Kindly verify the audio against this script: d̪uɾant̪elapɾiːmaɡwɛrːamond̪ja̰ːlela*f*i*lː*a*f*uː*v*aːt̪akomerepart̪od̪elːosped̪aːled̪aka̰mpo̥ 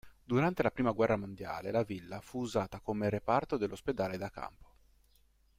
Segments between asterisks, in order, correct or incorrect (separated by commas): incorrect, correct, correct, incorrect